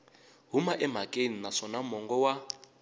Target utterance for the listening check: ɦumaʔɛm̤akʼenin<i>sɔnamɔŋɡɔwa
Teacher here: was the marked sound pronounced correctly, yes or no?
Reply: no